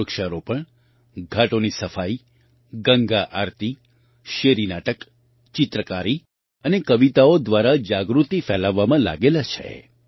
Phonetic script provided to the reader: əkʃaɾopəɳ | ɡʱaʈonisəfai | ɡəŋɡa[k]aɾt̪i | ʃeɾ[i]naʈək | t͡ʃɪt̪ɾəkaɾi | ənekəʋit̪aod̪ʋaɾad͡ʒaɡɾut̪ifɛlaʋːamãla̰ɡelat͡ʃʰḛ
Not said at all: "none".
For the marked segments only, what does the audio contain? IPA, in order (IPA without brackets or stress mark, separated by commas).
ʔ, i